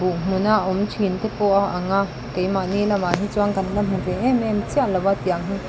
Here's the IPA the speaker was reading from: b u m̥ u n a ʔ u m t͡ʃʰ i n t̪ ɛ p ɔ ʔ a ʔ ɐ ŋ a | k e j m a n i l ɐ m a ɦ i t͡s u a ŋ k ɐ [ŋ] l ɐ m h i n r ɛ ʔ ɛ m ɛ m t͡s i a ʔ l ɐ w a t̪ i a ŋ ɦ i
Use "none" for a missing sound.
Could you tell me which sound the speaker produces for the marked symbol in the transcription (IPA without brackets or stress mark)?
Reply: n